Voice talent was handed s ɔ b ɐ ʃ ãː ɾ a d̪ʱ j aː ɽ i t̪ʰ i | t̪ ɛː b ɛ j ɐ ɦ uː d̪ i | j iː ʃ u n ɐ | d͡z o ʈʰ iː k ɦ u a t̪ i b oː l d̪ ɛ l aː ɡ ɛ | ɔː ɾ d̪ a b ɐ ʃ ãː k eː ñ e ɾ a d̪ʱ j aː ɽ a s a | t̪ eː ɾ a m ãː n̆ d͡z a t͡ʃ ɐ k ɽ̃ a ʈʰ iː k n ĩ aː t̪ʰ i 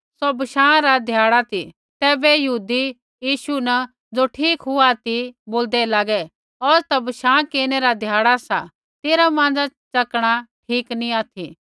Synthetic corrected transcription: s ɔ b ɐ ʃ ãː ɾ a d̪ʱ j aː ɽ a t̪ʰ i | t̪ ɛː b ɛ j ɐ ɦ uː d̪ i | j iː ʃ u n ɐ | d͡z o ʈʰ iː k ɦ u a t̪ i b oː l d̪ ɛ l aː ɡ ɛ | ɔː ɾ t̪ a b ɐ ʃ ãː k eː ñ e ɾ a d̪ʱ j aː ɽ a s a | t̪ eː ɾ a m ãː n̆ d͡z a t͡ʃ ɐ k ɽ̃ a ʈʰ iː k n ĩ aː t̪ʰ i

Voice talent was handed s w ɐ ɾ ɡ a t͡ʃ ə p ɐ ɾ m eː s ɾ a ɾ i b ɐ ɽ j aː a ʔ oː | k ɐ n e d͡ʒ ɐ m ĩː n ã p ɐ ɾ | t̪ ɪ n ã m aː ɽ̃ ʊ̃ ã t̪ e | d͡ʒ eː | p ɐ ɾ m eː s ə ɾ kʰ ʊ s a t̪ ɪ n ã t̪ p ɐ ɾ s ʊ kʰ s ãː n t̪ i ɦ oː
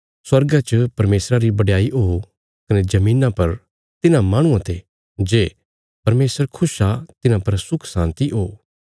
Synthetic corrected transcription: s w ɐ ɾ ɡ a t͡ʃ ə p ɐ ɾ m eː s ɾ a ɾ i b ɐ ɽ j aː i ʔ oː | k ɐ n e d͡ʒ ɐ m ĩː n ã p ɐ ɾ | t̪ ɪ n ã m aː ɽ̃ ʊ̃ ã t̪ e | d͡ʒ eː | p ɐ ɾ m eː s ə ɾ kʰ ʊ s a t̪ ɪ n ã p ɐ ɾ s ʊ kʰ s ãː n t̪ i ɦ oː

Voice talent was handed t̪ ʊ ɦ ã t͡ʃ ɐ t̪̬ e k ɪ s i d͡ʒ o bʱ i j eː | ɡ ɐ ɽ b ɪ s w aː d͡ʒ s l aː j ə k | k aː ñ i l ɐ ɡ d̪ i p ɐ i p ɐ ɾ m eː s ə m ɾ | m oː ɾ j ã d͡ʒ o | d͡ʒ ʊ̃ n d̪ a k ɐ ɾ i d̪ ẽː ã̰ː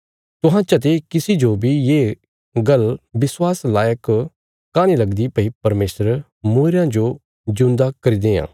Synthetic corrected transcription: t̪ ʊ ɦ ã t͡ʃ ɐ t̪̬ e k ɪ s i d͡ʒ o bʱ i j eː | ɡ ɐ l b ɪ s w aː s l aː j ə k | k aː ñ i l ɐ ɡ d̪ i p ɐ i p ɐ ɾ m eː s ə ɾ | m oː ɾ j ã d͡ʒ o | d͡ʒ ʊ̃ n d̪ a k ɐ ɾ i d̪ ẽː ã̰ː

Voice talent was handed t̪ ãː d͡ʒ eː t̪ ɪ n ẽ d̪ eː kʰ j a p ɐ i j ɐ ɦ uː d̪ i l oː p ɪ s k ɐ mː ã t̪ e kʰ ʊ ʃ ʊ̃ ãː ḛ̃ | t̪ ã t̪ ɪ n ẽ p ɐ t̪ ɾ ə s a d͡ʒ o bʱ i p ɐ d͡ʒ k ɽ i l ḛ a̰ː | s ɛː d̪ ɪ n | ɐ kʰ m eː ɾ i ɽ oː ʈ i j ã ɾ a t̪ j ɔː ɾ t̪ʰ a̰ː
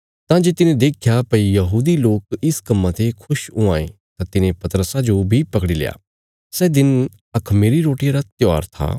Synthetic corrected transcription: t̪ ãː d͡ʒ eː t̪ ɪ n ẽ d̪ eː kʰ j a p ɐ i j ɐ ɦ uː d̪ i l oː k ɪ s k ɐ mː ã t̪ e kʰ ʊ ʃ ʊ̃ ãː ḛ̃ | t̪ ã t̪ ɪ n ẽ p ɐ t̪ ɾ ə s a d͡ʒ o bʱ i p ɐ k ɽ i l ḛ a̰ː | s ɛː d̪ ɪ n | ɐ kʰ m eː ɾ i ɾ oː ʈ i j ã ɾ a t̪ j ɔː ɾ t̪ʰ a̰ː

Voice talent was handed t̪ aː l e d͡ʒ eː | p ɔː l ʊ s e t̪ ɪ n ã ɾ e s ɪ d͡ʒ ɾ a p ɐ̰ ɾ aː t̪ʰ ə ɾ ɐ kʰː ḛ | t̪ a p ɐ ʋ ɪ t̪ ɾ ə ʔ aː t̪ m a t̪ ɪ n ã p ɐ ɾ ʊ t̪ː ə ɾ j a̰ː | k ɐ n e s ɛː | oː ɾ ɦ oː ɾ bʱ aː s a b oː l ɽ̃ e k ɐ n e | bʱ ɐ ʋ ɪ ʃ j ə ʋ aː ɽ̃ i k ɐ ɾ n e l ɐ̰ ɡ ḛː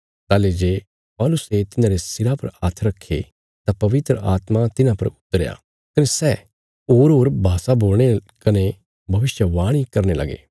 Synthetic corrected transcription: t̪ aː l e d͡ʒ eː | p ɔː l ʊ s e t̪ ɪ n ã ɾ e s ɪ ɾ a p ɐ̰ ɾ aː t̪ʰ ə ɾ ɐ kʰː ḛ | t̪ a p ɐ ʋ ɪ t̪ ɾ ə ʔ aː t̪ m a t̪ ɪ n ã p ɐ ɾ ʊ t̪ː ə ɾ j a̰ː | k ɐ n e s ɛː | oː ɾ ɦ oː ɾ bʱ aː s a b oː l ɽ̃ e k ɐ n e | bʱ ɐ ʋ ɪ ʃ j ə ʋ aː ɽ̃ i k ɐ ɾ n e l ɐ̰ ɡ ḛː

